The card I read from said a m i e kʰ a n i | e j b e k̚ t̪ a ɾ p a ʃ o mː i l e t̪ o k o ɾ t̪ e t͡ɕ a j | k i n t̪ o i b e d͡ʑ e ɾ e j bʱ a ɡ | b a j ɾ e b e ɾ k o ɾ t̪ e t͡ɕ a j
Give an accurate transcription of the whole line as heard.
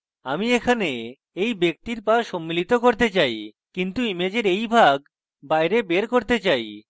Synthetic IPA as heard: a m i e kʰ a n e | e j b e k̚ t̪ i ɾ p a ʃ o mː i l i t̪ o k o ɾ t̪ e t͡ɕ a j | k i n t̪ u i m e d͡ʑ e ɾ e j bʱ a ɡ | b a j ɾ e b e ɾ k o ɾ t̪ e t͡ɕ a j